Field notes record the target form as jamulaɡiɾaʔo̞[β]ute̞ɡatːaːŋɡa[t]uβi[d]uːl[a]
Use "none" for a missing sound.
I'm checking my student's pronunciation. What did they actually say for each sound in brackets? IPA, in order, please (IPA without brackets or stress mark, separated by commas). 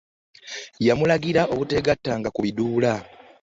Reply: β, k, d, a